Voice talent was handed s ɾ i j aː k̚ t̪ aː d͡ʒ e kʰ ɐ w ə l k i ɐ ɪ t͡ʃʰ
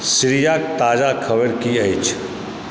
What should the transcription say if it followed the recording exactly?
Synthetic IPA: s ɾ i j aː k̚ t̪ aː d͡ʒ a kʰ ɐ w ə ɾ k i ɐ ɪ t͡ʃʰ